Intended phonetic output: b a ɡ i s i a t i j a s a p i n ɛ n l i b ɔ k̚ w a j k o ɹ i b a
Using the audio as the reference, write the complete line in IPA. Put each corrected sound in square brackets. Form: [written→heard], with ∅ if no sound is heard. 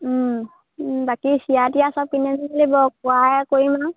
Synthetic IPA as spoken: b a [ɡ→k] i s i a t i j a s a p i n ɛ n l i b ɔ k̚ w a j k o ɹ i [b→m] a